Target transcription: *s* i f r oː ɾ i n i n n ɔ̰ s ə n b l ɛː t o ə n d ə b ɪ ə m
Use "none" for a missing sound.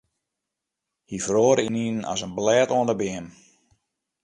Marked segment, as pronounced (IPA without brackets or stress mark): h